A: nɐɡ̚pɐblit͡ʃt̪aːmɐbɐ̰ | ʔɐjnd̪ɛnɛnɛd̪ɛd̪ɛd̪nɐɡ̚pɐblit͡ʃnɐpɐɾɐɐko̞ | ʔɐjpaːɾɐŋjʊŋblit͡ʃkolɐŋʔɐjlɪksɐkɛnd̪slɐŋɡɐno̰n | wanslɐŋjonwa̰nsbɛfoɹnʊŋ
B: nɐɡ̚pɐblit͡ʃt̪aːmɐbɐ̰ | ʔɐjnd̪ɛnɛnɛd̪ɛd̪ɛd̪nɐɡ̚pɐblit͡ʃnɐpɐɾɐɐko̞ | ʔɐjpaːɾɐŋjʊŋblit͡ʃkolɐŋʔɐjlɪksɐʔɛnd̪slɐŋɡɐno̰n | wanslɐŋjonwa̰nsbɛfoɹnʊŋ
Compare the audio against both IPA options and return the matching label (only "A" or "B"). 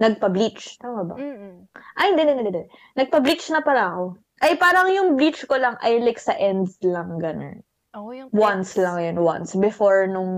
B